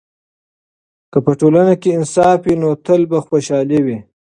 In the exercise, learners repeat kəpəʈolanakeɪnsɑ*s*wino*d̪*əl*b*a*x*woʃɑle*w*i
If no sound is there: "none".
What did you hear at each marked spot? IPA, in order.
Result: f, t̪, b, x, w

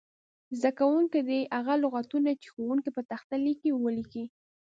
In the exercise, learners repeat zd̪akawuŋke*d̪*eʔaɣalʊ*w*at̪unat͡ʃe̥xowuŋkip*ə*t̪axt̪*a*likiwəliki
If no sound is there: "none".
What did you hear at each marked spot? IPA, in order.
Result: d̪, ɣ, ə, a

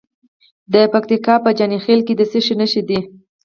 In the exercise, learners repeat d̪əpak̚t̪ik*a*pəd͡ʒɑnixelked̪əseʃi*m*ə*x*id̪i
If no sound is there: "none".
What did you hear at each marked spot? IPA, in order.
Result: ɑ, n, ʃ

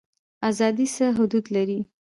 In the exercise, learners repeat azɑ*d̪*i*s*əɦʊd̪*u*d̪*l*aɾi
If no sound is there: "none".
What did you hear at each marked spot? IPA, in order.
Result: d̪, s, u, l

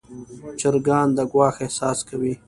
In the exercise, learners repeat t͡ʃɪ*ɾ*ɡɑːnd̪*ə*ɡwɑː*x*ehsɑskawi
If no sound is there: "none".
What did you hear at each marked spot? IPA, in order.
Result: ɾ, ə, x

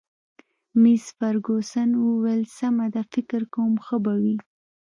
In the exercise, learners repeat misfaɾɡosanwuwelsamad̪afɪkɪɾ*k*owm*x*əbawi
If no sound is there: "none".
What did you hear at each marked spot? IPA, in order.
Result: k, x

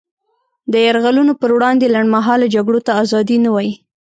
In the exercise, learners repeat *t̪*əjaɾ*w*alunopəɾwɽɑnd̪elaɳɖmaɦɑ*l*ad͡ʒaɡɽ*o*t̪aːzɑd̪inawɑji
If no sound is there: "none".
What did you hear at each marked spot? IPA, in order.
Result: d̪, ɣ, l, o

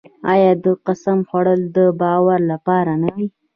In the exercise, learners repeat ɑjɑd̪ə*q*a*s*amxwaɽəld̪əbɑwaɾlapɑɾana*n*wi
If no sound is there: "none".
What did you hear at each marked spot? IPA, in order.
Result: q, s, none

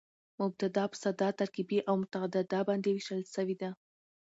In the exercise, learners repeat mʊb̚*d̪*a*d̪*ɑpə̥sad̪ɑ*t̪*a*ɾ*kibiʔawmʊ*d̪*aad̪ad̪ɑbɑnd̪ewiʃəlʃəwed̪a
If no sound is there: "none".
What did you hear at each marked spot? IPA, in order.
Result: t̪, d̪, t̪, ɾ, t̪

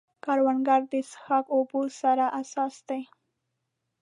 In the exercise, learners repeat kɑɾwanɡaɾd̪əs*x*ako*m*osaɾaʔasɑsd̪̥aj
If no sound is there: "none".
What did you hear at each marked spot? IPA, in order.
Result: x, b

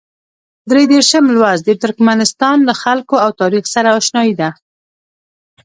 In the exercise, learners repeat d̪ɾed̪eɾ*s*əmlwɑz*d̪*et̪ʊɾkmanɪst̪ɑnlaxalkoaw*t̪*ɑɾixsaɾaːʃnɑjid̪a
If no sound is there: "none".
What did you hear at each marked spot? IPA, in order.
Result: ʃ, d̪, t̪

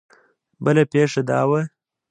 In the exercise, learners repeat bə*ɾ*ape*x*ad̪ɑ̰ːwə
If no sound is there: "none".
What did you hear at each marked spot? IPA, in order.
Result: l, ʂ

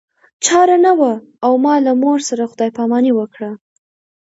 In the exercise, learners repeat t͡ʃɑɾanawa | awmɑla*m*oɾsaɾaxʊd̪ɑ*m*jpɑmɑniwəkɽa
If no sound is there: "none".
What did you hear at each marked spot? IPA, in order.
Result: m, none

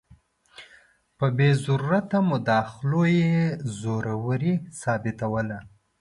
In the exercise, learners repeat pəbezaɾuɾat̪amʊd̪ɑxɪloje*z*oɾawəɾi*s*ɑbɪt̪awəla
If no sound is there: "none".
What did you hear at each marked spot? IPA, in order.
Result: z, s

